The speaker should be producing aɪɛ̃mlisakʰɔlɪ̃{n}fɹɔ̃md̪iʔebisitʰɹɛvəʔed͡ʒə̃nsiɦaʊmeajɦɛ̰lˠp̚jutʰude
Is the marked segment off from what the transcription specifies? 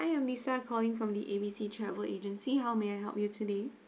yes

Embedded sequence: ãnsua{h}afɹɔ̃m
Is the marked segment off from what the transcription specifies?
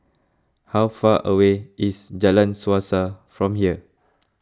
yes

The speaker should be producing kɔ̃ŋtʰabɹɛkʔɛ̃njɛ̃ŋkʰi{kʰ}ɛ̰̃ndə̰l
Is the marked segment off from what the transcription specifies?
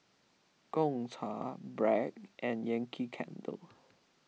no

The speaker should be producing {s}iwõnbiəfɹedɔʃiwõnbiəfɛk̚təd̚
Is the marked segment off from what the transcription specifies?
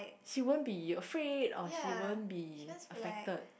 yes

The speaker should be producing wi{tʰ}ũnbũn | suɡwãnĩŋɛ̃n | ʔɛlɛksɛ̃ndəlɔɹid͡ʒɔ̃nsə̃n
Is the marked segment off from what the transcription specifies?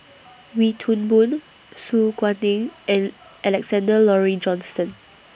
no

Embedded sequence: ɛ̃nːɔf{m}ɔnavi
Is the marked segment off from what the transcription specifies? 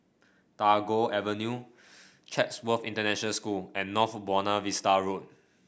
yes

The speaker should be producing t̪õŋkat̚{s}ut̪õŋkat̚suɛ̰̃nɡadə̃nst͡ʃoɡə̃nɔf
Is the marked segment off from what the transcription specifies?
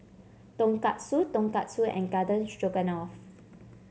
no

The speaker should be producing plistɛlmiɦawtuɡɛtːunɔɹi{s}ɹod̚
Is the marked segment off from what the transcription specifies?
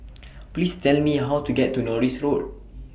no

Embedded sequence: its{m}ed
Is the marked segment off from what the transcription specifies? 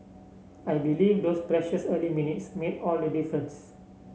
no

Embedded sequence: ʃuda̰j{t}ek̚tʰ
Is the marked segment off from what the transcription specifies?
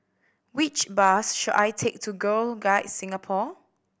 yes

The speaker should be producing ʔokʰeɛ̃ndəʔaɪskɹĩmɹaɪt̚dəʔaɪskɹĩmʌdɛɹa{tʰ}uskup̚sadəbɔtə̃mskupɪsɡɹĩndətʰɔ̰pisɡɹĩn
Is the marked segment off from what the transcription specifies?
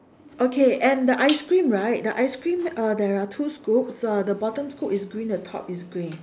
no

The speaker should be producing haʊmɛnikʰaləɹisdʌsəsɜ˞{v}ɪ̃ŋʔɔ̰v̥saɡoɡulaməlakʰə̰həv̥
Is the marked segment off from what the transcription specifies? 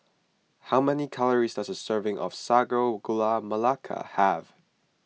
no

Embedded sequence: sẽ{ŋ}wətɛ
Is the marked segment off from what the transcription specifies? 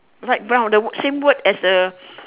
yes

